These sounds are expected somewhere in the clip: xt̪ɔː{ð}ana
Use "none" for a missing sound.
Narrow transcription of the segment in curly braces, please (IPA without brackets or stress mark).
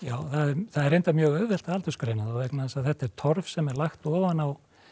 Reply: v